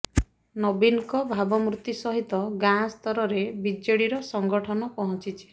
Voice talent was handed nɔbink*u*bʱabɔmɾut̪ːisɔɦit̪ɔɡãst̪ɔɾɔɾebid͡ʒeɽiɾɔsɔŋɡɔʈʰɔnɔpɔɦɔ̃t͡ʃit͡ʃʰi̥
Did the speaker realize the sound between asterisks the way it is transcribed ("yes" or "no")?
no